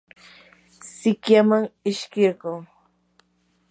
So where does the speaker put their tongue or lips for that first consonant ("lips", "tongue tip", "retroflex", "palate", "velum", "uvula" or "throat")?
tongue tip